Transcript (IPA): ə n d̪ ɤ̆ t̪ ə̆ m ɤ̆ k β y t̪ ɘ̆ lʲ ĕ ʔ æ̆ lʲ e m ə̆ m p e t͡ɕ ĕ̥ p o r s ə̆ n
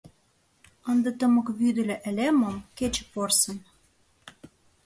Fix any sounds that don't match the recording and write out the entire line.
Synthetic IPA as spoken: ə n d̪ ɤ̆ t̪ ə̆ m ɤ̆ k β y d̪ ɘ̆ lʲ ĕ ʔ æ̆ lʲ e m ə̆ m k e t͡ɕ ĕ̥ p o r s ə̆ n